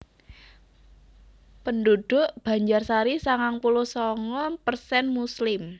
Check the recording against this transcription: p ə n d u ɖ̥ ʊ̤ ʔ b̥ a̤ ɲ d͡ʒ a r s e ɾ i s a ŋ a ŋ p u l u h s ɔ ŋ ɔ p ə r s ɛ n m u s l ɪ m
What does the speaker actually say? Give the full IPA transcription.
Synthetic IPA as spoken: p ə n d u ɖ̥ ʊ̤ ʔ b̥ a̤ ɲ d͡ʒ a r s a ɾ i s a ŋ a ŋ p u l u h s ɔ ŋ ɔ p ə r s ɛ n m u s l ɪ m